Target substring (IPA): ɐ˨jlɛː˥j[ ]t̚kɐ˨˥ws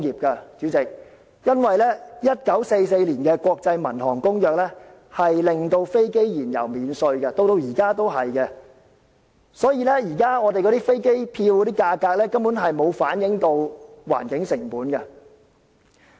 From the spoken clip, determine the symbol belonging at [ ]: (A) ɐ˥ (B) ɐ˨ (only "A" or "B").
A